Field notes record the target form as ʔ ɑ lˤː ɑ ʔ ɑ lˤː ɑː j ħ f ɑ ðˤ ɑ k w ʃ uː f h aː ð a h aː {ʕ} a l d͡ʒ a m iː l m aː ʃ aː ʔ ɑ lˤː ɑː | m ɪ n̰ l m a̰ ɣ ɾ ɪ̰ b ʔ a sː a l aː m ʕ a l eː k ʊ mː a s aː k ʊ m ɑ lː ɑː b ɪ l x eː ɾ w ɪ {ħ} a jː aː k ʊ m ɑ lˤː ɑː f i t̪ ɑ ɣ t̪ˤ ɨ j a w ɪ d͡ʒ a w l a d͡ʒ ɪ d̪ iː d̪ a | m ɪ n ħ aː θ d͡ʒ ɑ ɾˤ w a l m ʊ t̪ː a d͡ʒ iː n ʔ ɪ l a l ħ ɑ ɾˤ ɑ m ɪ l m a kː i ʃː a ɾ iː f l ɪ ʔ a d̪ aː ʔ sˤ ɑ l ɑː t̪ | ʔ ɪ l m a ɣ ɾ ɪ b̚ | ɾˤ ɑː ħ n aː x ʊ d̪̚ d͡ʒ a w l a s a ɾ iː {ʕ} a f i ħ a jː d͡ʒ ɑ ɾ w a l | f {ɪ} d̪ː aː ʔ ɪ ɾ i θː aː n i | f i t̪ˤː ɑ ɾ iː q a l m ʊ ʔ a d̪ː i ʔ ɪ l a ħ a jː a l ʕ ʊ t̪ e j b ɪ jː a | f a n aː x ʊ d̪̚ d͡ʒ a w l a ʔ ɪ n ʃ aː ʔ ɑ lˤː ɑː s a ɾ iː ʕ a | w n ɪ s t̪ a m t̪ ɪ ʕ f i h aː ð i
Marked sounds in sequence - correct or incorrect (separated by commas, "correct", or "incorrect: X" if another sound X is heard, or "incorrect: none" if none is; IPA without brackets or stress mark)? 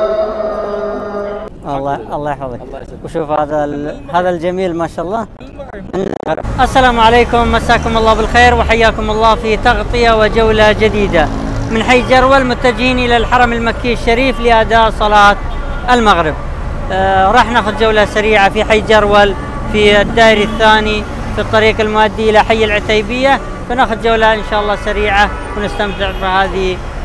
incorrect: ð, correct, correct, incorrect: i